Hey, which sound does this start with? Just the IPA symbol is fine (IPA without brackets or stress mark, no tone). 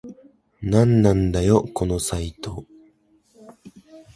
n